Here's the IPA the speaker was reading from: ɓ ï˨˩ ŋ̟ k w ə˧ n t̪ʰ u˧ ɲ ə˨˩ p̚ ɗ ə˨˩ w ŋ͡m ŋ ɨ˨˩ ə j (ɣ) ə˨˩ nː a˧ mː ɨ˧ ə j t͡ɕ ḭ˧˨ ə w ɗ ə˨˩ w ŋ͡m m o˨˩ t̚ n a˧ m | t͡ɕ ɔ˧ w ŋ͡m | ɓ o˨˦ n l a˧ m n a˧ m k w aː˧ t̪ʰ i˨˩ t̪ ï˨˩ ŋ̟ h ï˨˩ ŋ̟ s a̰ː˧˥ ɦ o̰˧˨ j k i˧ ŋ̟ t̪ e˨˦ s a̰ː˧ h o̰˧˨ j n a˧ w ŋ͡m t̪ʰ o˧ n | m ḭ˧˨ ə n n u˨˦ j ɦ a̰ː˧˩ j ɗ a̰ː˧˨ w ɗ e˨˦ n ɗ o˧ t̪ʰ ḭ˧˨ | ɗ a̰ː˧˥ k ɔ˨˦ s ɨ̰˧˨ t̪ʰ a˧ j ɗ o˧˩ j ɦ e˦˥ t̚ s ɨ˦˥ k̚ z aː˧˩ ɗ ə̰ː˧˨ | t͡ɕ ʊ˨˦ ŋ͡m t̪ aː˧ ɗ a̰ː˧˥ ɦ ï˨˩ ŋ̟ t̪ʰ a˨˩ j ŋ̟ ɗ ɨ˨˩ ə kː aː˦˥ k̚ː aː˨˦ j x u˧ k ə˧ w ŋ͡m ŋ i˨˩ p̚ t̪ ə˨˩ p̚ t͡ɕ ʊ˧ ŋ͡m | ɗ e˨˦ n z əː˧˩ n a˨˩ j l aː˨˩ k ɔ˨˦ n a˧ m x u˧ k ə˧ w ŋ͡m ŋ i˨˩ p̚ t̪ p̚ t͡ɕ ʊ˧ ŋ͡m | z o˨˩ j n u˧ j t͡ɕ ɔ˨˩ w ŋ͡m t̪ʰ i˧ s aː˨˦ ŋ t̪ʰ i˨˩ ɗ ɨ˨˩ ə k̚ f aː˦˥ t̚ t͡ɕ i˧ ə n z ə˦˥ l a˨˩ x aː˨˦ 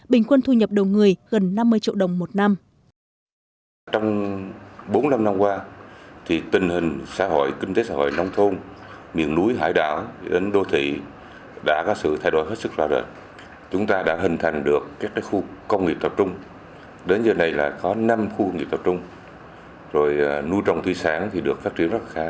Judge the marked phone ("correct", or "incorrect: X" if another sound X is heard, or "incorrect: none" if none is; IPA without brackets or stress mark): correct